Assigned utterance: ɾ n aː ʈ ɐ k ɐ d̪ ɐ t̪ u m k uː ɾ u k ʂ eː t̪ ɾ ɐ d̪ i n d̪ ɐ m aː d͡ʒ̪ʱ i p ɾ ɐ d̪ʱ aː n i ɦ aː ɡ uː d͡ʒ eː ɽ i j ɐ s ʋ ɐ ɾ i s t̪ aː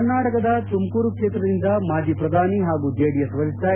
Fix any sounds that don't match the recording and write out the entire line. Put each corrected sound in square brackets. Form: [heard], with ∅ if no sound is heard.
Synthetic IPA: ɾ n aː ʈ ɐ k ɐ d̪ ɐ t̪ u m k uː ɾ u k ʂ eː t̪ ɾ ɐ d̪ i n d̪ ɐ m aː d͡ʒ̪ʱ i p ɾ ɐ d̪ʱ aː n i ɦ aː ɡ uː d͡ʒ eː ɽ i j ɐ s ʋ ɐ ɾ i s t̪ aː